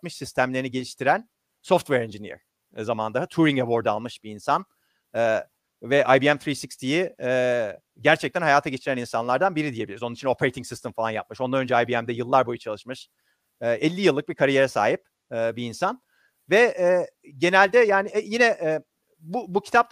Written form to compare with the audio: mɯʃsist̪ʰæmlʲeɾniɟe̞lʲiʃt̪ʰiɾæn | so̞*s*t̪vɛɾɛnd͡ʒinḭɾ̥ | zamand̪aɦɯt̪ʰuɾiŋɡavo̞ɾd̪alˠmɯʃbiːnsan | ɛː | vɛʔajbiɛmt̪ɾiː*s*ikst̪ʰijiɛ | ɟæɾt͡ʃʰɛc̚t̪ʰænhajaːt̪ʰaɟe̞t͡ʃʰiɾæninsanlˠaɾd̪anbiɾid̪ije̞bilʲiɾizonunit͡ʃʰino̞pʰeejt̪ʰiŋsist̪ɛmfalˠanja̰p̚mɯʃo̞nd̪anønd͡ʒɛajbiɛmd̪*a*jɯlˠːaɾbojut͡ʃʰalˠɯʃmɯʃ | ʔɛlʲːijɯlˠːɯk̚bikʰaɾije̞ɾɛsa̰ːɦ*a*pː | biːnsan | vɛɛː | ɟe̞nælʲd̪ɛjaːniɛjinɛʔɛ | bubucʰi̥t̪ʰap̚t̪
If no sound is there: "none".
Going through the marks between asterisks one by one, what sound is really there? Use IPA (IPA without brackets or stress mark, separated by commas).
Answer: f, s, ɛ, i